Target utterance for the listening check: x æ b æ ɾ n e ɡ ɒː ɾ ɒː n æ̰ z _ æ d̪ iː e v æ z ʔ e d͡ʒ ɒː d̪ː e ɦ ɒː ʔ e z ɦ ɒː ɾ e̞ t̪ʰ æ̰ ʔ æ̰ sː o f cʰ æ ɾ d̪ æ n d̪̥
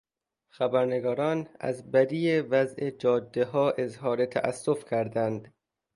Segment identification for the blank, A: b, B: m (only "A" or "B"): A